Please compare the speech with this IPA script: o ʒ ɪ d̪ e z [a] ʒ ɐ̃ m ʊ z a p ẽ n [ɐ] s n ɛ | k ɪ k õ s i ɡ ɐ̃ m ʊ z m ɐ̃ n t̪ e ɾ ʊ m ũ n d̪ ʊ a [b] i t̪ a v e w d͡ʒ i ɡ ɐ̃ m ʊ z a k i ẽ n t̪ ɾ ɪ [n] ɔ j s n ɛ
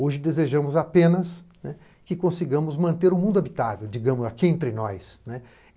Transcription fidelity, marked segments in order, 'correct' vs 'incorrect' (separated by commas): incorrect, correct, correct, correct